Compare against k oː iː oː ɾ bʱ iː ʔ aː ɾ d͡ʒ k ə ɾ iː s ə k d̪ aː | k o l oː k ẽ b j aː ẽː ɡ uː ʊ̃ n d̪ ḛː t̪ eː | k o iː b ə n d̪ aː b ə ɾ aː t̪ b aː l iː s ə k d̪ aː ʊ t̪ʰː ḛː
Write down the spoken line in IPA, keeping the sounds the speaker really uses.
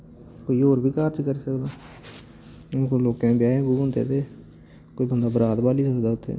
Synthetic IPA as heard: k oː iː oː ɾ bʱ iː k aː ɾ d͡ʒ k ə ɾ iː s ə k d̪ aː | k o l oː k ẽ b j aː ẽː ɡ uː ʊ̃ n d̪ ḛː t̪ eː | k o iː b ə n d̪ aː b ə ɾ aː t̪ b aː l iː s ə k d̪ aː ʊ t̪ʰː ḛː

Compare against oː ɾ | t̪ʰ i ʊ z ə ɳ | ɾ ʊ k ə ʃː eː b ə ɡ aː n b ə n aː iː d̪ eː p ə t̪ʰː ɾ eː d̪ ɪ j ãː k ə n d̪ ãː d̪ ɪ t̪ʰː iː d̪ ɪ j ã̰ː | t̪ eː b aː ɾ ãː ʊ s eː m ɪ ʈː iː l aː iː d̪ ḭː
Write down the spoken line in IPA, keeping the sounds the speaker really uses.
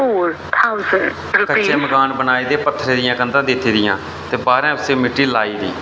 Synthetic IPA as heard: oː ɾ | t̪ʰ a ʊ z ə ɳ | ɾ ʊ k ə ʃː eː m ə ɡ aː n b ə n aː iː d̪ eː p ə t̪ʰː ɾ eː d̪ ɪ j ãː k ə n d̪ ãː d̪ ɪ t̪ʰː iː d̪ ɪ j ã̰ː | t̪ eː b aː ɾ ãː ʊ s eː m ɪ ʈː iː l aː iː d̪ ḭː

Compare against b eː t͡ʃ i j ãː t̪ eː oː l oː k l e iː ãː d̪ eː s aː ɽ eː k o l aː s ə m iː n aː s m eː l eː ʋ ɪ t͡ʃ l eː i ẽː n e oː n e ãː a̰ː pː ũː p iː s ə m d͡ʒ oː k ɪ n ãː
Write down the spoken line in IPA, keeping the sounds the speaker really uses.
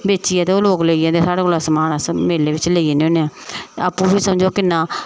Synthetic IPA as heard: b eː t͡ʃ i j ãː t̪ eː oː l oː k l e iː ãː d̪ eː s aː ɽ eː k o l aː s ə m aː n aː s m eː l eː ʋ ɪ t͡ʃ l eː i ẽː n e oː n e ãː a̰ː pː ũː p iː s ə m d͡ʒ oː k ɪ n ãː

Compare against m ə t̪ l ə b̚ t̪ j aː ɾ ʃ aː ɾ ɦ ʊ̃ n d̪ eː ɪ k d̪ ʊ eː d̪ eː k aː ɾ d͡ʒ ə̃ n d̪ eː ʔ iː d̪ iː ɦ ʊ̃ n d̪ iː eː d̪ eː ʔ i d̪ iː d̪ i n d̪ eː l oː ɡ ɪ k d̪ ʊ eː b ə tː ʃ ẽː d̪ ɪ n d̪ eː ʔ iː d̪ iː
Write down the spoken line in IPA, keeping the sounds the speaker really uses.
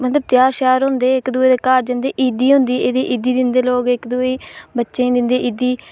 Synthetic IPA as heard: m ə t̪ l ə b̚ t̪ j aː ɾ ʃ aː ɾ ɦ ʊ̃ n d̪ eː ɪ k d̪ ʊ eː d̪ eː k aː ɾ d͡ʒ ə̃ n d̪ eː ʔ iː d̪ iː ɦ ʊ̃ n d̪ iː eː d̪ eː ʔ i d̪ iː d̪ ɪ n d̪ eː l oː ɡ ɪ k d̪ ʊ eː b ə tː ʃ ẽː d̪ ɪ n d̪ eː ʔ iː d̪ iː

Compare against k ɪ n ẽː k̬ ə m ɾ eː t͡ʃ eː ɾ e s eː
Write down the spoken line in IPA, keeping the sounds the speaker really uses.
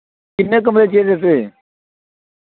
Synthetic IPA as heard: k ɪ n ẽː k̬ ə m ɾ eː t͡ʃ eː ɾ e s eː

